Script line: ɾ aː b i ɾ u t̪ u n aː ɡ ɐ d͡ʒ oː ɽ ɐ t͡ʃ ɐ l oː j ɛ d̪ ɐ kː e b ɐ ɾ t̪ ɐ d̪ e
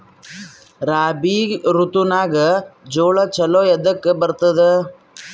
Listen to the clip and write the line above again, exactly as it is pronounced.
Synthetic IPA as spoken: ɾ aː b i ɾ u t̪ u n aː ɡ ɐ d͡ʒ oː ɭ ɐ t͡ʃ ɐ l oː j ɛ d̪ ɐ kː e b ɐ ɾ t̪ ɐ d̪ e